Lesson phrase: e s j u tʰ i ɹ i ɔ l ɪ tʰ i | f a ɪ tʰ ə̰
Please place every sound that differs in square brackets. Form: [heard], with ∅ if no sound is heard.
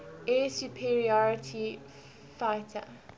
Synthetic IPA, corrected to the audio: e s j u [pʰ] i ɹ i ɔ [ɹ] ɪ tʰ i | f a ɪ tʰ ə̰